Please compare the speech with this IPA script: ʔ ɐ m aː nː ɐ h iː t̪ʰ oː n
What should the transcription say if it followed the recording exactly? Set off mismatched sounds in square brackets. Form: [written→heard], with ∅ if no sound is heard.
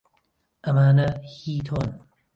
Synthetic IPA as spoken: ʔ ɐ m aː [nː→n] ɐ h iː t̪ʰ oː n